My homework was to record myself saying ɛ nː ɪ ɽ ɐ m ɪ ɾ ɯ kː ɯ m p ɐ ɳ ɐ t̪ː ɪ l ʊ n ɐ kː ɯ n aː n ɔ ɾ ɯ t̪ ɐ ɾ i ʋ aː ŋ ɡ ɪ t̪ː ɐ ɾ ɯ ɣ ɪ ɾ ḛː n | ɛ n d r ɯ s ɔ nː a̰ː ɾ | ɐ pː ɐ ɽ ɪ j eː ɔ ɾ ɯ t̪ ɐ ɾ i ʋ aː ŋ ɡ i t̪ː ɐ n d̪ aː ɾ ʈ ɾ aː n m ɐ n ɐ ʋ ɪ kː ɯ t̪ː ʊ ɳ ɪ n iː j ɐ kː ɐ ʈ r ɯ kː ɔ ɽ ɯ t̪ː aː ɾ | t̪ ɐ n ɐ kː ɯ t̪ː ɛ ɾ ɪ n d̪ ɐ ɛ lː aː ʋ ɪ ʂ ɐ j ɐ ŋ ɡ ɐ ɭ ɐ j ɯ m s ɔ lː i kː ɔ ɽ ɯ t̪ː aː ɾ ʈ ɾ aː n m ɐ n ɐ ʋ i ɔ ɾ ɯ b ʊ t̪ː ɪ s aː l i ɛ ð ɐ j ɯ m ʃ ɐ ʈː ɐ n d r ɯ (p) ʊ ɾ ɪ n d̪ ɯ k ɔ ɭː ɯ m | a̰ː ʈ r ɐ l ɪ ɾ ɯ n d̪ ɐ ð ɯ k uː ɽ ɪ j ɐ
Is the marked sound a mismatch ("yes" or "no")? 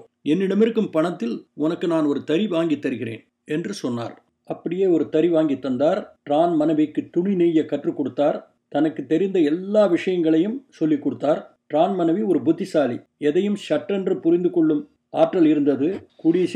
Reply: no